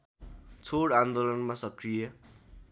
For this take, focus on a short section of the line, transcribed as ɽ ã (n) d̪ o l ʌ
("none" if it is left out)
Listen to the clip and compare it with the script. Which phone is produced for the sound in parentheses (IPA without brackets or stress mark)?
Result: n